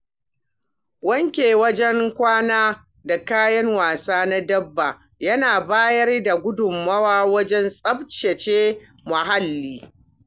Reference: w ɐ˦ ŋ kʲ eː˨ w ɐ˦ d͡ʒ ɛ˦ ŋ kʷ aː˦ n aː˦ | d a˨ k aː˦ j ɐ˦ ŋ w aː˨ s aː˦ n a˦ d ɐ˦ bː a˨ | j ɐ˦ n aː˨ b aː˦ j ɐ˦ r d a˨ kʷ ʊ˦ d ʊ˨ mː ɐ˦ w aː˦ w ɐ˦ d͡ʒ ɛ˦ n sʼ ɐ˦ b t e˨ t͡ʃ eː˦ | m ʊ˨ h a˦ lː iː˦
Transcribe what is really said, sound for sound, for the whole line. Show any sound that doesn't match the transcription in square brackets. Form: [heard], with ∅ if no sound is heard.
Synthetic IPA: w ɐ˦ ŋ kʲ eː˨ w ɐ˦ d͡ʒ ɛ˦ ŋ kʷ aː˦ n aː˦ | d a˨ k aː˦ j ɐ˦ ŋ w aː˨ s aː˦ n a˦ d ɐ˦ bː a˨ | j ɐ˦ n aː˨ b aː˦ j ɐ˦ r d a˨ [ɡʷ] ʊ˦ d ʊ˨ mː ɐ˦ w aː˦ w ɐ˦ d͡ʒ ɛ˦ n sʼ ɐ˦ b [t͡ʃ] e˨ t͡ʃ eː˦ | m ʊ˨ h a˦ lː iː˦